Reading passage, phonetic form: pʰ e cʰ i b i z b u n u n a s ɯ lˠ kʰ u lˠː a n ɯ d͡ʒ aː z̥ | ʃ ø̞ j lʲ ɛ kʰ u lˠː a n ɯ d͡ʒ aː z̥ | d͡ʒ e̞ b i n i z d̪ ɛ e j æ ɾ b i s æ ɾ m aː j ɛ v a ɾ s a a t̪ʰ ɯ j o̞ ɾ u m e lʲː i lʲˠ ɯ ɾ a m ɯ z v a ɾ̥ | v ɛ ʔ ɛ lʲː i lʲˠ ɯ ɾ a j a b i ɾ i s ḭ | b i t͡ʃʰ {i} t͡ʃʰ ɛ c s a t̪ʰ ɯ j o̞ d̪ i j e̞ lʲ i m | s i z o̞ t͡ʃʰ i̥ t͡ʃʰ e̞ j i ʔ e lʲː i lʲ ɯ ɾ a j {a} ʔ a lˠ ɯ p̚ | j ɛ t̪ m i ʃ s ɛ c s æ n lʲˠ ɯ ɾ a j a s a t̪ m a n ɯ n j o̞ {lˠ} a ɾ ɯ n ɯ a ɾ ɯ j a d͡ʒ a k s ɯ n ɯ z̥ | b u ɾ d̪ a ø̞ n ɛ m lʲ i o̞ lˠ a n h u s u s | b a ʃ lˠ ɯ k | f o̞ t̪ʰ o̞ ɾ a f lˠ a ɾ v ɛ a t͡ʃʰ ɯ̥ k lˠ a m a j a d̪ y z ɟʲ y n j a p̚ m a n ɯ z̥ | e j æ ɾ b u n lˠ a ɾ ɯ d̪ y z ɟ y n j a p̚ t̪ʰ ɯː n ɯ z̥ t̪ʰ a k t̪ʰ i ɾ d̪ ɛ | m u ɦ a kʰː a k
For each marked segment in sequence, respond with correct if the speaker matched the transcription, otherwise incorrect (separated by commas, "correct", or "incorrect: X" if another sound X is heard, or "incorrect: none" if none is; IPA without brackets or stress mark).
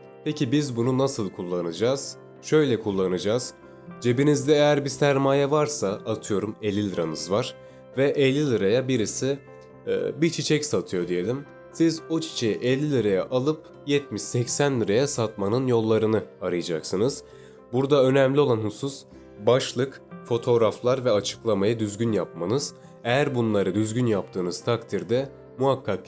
correct, correct, incorrect: lˠː